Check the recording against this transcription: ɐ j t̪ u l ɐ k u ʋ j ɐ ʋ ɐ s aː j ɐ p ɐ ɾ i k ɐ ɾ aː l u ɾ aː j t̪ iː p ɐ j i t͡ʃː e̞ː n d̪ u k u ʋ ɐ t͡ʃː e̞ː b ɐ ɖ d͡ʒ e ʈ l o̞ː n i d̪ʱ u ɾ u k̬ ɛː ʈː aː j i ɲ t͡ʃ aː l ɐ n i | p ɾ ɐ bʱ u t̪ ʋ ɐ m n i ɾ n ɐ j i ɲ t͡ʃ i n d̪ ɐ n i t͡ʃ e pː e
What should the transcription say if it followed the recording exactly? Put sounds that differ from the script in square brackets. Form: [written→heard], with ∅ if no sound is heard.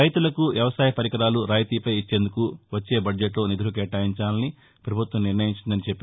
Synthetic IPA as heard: ɐ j t̪ u l ɐ k u ʋ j ɐ ʋ ɐ s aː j ɐ p ɐ ɾ i k ɐ ɾ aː l u ɾ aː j t̪ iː p ɐ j i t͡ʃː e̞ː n d̪ u k u ʋ ɐ t͡ʃː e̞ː b ɐ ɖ d͡ʒ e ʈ l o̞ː n i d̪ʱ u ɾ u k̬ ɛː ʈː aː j i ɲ t͡ʃ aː l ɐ n i | p ɾ ɐ bʱ u t̪ ʋ ɐ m n i ɾ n ɐ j i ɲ t͡ʃ i n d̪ ɐ n i t͡ʃ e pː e

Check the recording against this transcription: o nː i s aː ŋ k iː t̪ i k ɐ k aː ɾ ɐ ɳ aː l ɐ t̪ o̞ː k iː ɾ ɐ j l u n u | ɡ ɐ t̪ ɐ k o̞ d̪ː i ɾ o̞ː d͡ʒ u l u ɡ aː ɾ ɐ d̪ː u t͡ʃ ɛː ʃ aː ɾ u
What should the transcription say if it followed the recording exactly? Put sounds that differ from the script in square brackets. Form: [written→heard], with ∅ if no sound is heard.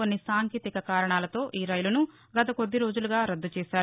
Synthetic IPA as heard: o nː i s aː ŋ k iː t̪ i k ɐ k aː ɾ ɐ ɳ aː l ɐ t̪ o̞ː [k→ʔ] iː ɾ ɐ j l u n u | ɡ ɐ t̪ ɐ k o̞ d̪ː i ɾ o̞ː d͡ʒ u l u ɡ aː ɾ ɐ d̪ː u t͡ʃ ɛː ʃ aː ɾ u

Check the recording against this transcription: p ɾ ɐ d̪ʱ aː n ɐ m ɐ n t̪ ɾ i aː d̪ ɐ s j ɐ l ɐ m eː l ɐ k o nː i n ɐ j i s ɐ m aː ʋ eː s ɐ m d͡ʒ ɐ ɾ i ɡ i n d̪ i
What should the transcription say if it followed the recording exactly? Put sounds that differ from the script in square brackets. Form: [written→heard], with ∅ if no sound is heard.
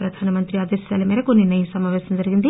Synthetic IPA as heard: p ɾ ɐ d̪ʱ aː n ɐ m ɐ n t̪ ɾ i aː d̪ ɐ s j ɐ l ɐ m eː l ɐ k o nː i n ɐ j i s ɐ m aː ʋ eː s ɐ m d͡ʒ ɐ ɾ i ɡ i n d̪ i

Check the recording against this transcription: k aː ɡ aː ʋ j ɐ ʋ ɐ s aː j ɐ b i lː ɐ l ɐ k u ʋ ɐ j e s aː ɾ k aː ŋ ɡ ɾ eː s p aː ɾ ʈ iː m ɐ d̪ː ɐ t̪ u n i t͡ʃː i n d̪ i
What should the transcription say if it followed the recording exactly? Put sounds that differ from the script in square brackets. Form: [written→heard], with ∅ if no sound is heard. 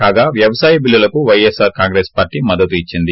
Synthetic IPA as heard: k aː ɡ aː ʋ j ɐ ʋ ɐ s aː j ɐ b i lː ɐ l ɐ k u ʋ ɐ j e s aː ɾ k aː ŋ ɡ ɾ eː s p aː ɾ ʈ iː m ɐ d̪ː ɐ t̪ u [n→∅] i t͡ʃː i n d̪ i

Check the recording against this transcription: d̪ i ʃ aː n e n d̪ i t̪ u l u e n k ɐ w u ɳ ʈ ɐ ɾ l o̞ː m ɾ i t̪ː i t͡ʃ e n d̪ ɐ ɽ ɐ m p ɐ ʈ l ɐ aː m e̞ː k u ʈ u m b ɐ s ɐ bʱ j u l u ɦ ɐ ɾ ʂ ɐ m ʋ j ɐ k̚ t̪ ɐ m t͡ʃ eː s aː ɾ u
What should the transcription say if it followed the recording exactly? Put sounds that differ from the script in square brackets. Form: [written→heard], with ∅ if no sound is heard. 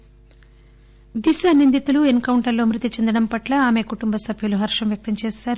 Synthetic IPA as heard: d̪ i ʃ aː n [e→i] n d̪ i t̪ u l u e n k ɐ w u ɳ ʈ ɐ ɾ l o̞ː m ɾ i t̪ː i t͡ʃ e n d̪ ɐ ɽ ɐ m p ɐ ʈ l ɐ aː m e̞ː k u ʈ u m b ɐ s ɐ bʱ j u l u ɦ ɐ ɾ ʂ ɐ m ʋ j ɐ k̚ t̪ ɐ m t͡ʃ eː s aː ɾ u

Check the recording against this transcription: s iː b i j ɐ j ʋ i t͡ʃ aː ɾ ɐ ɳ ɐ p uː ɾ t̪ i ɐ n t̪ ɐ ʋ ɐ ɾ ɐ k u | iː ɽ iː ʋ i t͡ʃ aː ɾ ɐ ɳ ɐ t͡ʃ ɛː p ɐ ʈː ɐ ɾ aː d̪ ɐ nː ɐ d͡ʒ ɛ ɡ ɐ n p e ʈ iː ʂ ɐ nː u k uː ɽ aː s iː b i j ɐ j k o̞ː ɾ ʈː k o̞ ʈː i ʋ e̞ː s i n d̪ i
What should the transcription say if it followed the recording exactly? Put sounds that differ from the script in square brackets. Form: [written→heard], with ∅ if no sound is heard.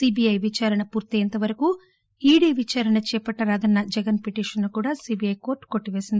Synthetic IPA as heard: s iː b i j ɐ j ʋ i t͡ʃ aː ɾ ɐ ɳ ɐ p uː ɾ t̪ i ɐ n t̪ ɐ ʋ ɐ ɾ ɐ k u | iː ɽ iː ʋ i t͡ʃ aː ɾ ɐ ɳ ɐ t͡ʃ ɛː p ɐ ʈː ɐ ɾ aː d̪ ɐ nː ɐ d͡ʒ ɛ ɡ ɐ n p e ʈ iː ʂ ɐ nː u k uː ɽ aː s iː b i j ɐ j k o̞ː ɾ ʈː k o̞ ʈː i ʋ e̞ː s i n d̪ i

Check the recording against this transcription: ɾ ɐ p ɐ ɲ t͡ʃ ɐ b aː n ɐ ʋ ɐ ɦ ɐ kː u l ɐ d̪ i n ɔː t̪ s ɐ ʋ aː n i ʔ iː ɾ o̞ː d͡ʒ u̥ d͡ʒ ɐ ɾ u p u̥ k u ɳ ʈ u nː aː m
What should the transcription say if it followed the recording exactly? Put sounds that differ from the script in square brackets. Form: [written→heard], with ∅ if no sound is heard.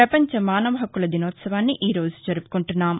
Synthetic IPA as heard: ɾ ɐ p ɐ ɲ t͡ʃ ɐ [b→m] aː n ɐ ʋ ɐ ɦ ɐ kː u l ɐ d̪ i n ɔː t̪ s ɐ ʋ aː [n→nː] i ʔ iː ɾ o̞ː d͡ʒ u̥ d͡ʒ ɐ ɾ u p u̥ k u ɳ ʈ u nː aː m

